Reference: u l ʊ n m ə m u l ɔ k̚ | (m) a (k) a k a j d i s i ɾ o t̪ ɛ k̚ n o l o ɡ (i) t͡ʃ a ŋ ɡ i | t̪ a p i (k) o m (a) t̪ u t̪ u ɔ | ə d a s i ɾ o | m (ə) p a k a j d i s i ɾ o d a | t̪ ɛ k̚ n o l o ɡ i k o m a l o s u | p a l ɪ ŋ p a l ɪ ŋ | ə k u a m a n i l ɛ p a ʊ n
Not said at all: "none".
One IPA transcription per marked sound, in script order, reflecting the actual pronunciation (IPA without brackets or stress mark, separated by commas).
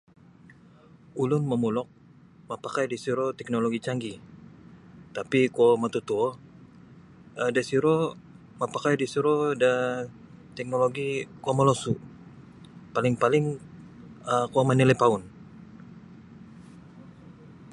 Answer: m, p, i, k, a, a